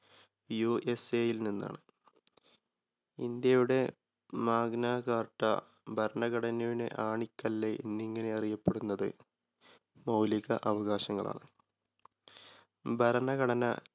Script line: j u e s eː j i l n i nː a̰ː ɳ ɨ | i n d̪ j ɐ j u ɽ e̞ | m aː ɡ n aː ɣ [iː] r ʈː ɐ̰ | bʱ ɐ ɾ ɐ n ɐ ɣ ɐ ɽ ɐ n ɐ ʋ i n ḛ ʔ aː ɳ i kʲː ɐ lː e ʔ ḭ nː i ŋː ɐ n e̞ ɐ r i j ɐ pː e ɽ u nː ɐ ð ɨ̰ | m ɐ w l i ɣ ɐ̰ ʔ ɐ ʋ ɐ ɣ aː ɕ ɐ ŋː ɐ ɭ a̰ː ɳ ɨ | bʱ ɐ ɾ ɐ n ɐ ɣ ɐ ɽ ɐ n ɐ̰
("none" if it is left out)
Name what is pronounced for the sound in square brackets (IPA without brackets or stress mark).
aː